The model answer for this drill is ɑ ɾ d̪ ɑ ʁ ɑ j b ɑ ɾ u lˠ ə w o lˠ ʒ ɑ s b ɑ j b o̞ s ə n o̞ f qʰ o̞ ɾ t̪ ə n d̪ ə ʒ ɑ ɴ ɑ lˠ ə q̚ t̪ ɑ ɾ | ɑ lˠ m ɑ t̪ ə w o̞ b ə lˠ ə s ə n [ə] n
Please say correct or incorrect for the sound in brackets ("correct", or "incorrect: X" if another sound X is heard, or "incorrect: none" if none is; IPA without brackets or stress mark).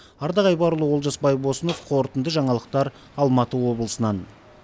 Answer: incorrect: ɑ